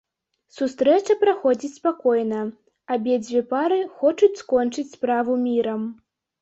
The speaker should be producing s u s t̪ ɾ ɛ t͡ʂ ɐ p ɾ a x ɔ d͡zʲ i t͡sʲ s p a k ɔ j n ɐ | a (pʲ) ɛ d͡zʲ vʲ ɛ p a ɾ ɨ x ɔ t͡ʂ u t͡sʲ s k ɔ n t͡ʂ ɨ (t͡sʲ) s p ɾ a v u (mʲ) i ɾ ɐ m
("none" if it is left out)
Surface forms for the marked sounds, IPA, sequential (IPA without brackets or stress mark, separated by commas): bʲ, t͡sʲ, mʲ